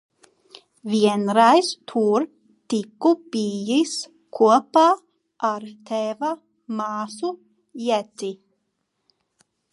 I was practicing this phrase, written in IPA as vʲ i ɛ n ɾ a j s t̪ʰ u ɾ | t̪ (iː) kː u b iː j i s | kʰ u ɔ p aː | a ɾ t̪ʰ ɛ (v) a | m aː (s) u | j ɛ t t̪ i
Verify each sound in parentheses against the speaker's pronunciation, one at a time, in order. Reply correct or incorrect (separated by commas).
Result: incorrect, correct, correct